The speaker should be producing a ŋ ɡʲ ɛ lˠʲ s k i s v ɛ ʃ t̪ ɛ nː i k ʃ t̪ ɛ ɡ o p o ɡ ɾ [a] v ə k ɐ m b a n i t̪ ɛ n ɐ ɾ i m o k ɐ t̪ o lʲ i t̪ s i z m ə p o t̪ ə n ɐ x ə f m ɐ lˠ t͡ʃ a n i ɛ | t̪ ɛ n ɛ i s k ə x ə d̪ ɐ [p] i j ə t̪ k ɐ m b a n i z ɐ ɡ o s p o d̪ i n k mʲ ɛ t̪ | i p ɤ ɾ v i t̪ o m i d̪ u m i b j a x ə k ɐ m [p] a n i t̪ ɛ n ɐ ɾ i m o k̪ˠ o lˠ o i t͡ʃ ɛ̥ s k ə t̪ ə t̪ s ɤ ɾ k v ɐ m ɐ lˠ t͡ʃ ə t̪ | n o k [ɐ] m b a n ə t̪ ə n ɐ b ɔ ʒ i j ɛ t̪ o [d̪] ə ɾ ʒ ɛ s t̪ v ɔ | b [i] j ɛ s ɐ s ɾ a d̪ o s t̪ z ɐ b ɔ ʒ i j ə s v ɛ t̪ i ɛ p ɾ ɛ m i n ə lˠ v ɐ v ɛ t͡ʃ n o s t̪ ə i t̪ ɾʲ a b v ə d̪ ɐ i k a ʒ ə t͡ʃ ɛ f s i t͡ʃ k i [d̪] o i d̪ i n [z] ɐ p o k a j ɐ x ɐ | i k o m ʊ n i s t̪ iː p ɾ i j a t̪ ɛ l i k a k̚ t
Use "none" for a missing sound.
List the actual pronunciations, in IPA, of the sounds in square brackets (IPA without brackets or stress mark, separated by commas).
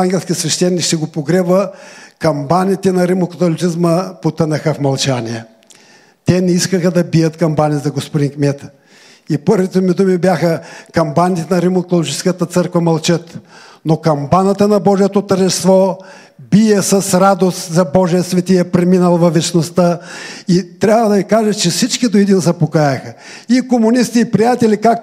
ɛ, b, b, ɐ, t̪, i, d̪, z